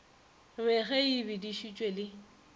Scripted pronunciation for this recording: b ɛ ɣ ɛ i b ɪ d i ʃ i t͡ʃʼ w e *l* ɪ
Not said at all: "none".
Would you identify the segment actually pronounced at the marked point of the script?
l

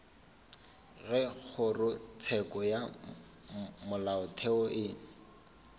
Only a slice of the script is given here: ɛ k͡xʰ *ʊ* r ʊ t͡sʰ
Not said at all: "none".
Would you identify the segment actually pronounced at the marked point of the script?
ʊ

